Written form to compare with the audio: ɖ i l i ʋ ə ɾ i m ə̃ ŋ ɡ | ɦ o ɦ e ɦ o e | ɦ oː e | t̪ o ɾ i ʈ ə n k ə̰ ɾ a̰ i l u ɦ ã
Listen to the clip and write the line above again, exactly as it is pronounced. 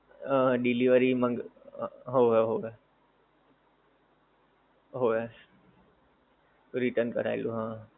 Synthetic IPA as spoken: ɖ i l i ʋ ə ɾ i m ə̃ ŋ ɡ | ɦ o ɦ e ɦ o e | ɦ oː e | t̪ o ɾ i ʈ ə n k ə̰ ɾ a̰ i l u ɦ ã